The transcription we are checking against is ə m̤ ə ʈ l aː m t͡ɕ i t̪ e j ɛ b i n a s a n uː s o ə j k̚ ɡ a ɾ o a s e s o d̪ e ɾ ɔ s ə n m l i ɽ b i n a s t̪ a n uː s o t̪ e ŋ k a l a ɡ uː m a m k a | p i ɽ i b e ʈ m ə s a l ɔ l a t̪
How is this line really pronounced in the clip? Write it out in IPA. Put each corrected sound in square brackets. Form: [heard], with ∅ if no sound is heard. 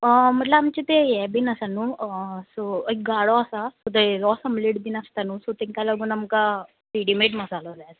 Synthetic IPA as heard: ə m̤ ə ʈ l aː m t͡ɕ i t̪ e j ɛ b i n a s a n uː s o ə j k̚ ɡ a [ɽ] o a s [a] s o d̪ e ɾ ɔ s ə [∅] m l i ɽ b i n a s t̪ a n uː s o t̪ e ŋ k a l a ɡ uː [n] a m k a | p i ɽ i [m] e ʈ m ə s a l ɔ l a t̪

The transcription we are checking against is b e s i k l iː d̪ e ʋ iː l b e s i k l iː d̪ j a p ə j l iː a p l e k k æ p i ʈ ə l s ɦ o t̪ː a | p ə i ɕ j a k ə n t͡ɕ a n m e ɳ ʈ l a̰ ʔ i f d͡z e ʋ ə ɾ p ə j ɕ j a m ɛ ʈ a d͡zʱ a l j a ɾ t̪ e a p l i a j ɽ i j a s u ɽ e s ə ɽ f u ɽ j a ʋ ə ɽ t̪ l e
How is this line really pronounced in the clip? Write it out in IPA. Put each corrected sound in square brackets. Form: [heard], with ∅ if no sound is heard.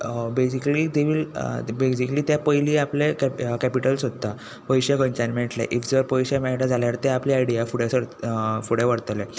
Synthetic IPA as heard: b e s i k l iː d̪ e ʋ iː l b e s i k l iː [t̪] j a p ə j l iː a p l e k k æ p i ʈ ə l s ɦ o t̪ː a | p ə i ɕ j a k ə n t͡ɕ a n m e ɳ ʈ l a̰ ʔ i f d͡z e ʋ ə ɾ p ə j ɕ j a m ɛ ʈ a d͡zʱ a l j a ɾ t̪ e a p l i a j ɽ i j a [f] u ɽ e s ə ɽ f u ɽ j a ʋ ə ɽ t̪ l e

